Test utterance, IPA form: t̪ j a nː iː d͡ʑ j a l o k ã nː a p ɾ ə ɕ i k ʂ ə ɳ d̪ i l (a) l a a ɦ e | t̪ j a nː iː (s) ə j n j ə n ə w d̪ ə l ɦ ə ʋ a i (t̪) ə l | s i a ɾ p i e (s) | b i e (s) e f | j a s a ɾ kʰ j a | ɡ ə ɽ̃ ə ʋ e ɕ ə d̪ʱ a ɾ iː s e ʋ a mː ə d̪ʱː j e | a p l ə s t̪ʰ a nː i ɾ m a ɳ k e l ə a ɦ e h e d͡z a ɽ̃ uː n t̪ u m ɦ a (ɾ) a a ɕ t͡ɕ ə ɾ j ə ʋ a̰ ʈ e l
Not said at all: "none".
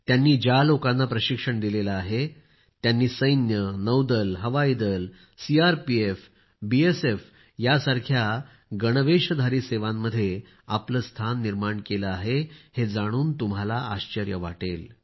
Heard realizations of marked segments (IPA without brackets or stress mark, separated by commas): e, s, d̪, f, s, l